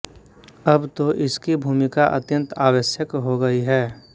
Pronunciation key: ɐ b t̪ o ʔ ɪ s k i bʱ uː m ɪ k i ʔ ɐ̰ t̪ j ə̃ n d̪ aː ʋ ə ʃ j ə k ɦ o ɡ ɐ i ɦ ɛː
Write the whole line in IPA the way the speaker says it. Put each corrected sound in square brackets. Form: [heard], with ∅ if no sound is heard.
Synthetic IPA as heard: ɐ b t̪ o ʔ ɪ s k i bʱ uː m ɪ k [a] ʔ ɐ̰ t̪ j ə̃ n [t̪] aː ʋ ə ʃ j ə k ɦ o ɡ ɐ i ɦ ɛː